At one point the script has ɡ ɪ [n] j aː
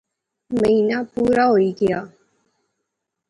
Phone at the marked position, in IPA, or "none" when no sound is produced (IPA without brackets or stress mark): none